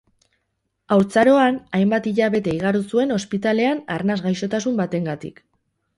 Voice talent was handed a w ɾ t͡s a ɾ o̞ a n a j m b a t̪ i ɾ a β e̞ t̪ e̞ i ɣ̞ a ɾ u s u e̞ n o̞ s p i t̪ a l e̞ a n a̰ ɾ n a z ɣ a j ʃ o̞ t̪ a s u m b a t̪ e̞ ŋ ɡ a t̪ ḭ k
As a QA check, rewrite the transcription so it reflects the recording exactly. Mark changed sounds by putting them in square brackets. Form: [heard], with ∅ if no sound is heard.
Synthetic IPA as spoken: a w ɾ t͡s a ɾ o̞ a n a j m b a t̪ i [ʎ] a β e̞ t̪ e̞ i ɣ̞ a ɾ u s u e̞ n o̞ s p i t̪ a l e̞ a n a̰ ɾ n a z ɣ a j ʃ o̞ t̪ a s u m b a t̪ e̞ ŋ ɡ a t̪ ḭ k